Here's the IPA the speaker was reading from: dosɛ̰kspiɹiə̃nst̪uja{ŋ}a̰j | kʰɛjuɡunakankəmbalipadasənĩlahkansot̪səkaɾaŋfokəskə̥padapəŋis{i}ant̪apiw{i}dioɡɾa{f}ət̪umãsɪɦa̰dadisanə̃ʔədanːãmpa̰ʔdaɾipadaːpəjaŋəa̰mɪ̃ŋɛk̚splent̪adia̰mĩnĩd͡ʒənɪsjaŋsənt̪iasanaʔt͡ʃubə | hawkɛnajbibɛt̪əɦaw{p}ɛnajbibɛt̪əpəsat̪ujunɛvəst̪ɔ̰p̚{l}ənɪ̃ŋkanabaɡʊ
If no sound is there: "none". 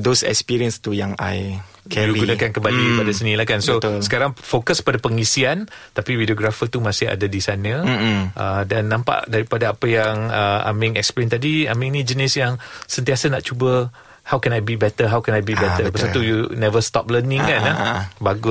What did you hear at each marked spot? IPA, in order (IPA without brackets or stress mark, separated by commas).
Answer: ŋ, i, i, f, k, l